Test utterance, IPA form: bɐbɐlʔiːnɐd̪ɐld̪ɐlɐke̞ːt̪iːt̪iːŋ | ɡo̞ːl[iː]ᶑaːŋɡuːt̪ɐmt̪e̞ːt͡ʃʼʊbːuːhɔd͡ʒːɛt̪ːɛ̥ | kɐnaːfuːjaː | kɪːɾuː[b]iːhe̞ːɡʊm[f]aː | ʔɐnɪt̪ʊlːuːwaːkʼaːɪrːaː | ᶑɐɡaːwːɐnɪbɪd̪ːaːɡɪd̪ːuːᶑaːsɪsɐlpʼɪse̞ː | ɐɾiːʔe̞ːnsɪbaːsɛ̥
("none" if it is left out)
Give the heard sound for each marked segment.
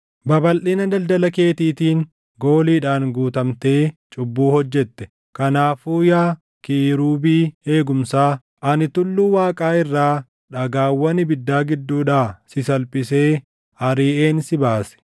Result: iː, b, s

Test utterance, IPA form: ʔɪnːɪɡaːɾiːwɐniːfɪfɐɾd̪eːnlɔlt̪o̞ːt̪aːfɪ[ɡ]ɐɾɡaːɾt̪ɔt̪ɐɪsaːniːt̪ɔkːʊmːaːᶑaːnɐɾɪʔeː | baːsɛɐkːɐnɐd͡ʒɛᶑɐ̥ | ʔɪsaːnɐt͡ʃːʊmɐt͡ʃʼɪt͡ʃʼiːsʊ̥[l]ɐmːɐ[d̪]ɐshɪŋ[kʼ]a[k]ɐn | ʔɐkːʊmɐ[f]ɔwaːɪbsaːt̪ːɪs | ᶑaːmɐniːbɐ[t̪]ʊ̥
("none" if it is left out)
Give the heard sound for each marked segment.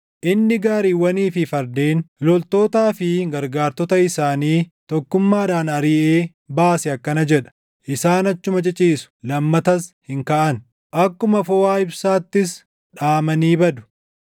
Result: ɡ, l, t̪, k, ʔ, f, d̪

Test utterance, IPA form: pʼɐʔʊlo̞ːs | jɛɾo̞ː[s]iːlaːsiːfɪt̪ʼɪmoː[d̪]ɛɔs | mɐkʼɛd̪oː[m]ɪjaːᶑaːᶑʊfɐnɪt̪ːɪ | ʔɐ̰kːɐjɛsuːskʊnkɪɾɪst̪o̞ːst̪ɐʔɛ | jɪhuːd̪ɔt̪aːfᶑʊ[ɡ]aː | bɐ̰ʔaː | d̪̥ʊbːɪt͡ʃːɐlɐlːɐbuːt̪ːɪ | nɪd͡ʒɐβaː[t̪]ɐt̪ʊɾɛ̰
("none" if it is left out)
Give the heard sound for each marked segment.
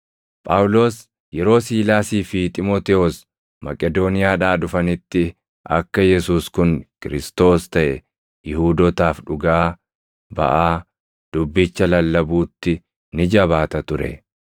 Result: s, t̪, n, ɡ, t̪

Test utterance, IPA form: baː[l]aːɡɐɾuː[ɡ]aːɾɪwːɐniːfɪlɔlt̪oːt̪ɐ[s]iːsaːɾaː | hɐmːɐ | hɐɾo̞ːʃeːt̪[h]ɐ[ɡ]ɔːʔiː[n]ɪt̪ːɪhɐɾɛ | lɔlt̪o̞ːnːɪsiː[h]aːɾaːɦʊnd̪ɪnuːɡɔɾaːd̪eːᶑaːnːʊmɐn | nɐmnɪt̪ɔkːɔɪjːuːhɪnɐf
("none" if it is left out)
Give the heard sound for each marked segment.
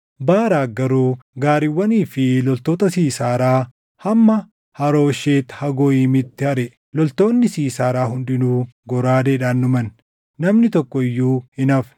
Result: ɾ, ɡ, s, h, ɡ, m, s

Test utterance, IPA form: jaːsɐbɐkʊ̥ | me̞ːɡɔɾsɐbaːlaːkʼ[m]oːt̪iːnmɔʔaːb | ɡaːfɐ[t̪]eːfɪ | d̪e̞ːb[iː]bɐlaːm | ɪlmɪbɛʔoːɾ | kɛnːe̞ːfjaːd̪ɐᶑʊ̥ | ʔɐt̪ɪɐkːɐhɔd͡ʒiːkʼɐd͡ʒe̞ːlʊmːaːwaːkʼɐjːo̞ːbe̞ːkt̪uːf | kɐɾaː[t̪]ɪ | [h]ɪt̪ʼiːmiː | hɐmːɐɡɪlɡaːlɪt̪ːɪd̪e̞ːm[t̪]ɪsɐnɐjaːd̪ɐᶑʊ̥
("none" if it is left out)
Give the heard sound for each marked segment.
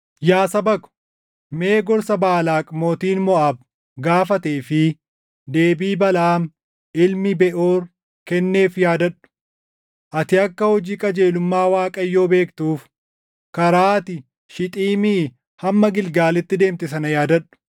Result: m, t̪, iː, t̪, ʃ, t̪

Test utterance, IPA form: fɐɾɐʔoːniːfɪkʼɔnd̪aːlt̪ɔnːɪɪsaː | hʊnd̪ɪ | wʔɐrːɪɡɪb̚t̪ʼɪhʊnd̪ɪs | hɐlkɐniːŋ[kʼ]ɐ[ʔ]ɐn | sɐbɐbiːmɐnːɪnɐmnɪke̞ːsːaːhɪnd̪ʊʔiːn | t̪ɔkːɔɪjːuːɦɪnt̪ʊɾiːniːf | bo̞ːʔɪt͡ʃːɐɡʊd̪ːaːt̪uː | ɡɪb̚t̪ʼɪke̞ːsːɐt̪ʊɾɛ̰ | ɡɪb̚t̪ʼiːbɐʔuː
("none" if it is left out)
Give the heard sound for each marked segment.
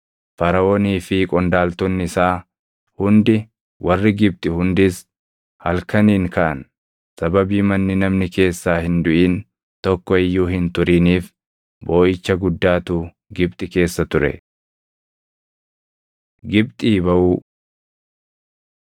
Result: k, ʔ

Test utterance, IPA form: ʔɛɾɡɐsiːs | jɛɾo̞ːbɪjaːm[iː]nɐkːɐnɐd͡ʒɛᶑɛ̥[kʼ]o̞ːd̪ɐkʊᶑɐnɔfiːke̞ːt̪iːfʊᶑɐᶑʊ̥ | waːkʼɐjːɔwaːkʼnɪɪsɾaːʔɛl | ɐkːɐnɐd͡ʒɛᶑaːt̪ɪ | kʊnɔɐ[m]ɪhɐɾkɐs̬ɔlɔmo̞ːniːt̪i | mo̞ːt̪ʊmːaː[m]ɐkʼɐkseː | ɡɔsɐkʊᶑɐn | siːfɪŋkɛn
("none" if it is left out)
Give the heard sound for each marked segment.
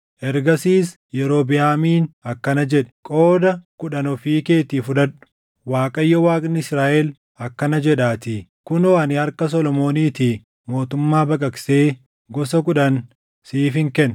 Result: iː, kʼ, n, b

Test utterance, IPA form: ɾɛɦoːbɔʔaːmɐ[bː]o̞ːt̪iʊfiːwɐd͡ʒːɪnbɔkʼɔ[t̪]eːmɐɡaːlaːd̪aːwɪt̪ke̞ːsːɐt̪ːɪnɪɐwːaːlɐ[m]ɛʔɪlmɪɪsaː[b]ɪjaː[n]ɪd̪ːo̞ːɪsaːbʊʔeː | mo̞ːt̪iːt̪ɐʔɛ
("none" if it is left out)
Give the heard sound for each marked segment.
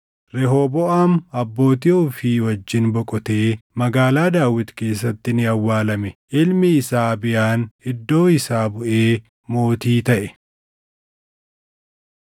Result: bː, t̪, m, b, n

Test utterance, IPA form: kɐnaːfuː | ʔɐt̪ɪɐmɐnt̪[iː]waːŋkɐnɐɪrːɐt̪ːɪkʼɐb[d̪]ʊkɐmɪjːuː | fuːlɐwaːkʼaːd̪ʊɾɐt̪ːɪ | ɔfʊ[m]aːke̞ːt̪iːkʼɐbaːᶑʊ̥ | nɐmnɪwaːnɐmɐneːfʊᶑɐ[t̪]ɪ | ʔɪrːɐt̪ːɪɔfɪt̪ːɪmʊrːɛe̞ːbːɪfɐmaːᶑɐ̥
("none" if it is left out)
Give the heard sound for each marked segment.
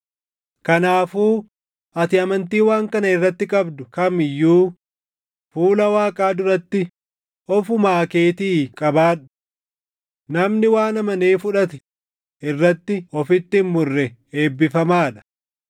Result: iː, d̪, m, t̪

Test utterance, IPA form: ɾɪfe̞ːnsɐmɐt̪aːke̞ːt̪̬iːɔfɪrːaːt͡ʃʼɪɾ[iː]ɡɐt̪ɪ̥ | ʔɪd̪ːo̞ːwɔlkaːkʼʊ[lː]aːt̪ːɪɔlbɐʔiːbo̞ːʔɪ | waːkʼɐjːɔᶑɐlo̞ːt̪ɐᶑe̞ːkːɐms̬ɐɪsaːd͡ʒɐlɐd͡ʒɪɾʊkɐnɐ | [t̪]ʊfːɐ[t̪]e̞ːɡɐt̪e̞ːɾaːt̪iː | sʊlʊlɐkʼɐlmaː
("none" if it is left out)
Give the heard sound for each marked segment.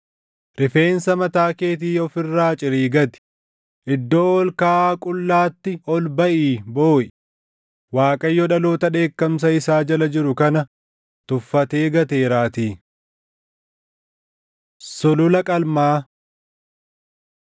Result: iː, lː, t̪, t̪

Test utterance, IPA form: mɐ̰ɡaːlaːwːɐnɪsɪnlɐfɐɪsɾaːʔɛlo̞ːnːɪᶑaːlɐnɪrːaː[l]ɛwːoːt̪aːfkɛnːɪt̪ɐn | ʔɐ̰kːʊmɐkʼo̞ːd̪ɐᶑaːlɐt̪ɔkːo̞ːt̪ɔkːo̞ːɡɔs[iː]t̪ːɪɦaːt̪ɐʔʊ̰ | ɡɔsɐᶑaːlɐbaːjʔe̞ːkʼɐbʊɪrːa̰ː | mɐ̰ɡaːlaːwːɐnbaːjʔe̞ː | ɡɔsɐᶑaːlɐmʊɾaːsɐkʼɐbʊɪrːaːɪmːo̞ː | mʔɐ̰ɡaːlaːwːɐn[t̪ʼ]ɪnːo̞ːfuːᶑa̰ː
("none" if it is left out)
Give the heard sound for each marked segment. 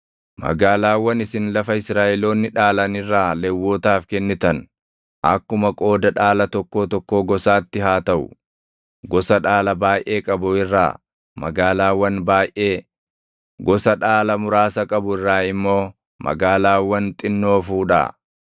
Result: l, aː, t̪ʼ

